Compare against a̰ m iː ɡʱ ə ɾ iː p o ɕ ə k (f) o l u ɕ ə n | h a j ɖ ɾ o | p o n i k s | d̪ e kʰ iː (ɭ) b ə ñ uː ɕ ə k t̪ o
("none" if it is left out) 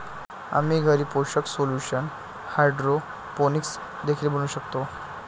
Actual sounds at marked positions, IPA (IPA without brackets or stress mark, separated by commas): s, l